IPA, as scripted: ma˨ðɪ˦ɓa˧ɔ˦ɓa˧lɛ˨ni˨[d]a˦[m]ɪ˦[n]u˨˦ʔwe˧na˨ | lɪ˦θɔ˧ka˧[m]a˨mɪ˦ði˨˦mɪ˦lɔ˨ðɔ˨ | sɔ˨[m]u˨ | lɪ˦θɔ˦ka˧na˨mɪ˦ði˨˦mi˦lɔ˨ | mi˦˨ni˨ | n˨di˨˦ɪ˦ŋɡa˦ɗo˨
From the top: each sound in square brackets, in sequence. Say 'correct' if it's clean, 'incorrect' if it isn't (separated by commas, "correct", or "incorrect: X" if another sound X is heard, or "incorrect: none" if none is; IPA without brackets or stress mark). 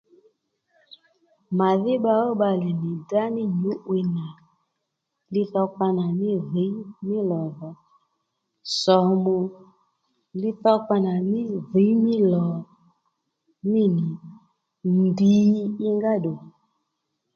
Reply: correct, incorrect: n, incorrect: ɲ, incorrect: n, correct